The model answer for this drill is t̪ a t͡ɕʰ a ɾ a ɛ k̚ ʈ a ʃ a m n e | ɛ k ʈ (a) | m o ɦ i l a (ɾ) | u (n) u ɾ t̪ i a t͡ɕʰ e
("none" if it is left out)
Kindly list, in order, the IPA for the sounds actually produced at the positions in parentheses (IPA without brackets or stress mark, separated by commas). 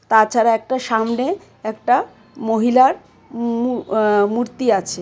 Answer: a, ɾ, m